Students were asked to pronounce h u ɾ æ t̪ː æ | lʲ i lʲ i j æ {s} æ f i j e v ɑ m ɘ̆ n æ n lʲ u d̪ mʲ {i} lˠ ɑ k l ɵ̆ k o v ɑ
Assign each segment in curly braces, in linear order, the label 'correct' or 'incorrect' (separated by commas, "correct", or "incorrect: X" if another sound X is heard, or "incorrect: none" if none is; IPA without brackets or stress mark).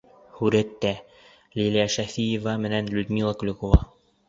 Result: incorrect: ʃ, correct